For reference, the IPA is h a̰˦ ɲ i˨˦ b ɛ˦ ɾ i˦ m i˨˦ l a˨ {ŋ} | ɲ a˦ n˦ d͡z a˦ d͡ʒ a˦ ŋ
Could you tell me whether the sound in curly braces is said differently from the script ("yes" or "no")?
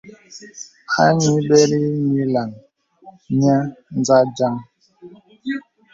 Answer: no